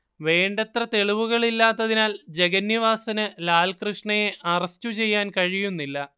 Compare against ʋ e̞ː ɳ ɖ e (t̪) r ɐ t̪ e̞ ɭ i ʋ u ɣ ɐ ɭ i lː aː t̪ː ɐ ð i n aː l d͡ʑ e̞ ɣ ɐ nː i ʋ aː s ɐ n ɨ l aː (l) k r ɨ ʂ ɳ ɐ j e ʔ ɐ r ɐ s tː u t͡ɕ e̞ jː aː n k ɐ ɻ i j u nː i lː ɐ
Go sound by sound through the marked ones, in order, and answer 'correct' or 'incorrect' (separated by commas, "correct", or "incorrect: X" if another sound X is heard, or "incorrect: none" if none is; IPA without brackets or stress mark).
correct, correct